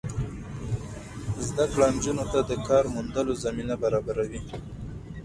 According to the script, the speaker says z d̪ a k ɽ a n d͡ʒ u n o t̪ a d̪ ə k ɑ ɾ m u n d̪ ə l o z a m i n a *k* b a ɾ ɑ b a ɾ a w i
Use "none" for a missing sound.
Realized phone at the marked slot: none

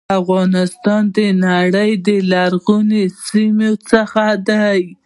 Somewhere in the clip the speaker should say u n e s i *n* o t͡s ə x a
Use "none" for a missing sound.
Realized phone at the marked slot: m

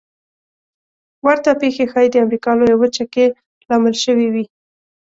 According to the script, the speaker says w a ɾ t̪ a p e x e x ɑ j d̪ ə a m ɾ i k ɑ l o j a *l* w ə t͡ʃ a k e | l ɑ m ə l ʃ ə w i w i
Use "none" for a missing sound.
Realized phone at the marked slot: none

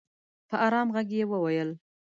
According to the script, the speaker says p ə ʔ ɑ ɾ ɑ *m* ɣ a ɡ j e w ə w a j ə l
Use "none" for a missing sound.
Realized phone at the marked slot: m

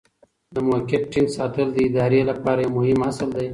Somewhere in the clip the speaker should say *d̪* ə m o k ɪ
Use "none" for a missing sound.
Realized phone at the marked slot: d̪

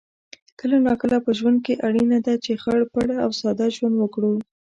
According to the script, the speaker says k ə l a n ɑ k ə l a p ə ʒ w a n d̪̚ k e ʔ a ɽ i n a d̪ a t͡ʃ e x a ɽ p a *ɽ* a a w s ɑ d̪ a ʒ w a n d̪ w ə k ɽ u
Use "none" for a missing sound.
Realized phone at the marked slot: ɽ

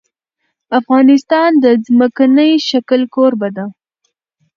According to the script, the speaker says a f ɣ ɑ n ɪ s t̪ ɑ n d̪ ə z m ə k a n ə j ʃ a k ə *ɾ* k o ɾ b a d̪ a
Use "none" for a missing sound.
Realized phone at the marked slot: l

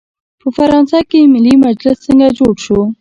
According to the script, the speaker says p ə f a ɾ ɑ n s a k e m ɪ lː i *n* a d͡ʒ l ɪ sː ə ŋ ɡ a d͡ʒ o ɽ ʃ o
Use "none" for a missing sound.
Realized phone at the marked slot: m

